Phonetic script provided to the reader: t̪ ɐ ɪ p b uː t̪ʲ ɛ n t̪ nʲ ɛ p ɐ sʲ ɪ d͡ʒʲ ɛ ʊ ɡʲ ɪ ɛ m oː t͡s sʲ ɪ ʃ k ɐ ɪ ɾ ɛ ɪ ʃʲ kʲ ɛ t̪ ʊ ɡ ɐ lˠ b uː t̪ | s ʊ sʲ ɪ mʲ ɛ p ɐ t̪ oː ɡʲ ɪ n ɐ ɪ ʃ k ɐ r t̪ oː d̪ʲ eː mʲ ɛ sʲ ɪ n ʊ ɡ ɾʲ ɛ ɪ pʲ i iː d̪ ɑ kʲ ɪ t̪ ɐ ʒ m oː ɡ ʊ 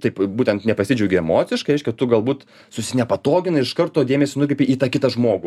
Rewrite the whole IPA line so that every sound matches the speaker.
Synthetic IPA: t̪ ɐ ɪ p b uː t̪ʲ ɛ n t̪ nʲ ɛ p ɐ sʲ ɪ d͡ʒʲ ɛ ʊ ɡʲ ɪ ɛ m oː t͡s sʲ ɪ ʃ k ɐ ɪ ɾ ɛ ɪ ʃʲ kʲ ɛ t̪ ʊ ɡ ɐ lˠ b uː t̪ | s ʊ sʲ ɪ nʲ ɛ p ɐ t̪ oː ɡʲ ɪ n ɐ ɪ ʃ k ɐ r t̪ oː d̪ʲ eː mʲ ɛ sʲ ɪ n ʊ k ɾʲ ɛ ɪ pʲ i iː t̪ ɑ kʲ ɪ t̪ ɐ ʒ m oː ɡ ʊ